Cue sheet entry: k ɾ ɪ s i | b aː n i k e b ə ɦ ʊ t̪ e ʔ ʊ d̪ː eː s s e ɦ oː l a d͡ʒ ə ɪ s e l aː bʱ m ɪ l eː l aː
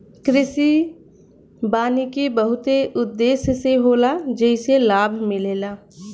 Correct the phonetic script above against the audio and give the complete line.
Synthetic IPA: k ɾ ɪ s i | b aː n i k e b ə ɦ ʊ t̪ e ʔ ʊ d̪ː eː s s e ɦ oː l a d͡ʒ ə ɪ s e l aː bʱ m ɪ l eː l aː